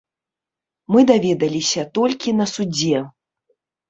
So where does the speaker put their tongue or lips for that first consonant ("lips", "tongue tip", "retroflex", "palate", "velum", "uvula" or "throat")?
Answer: lips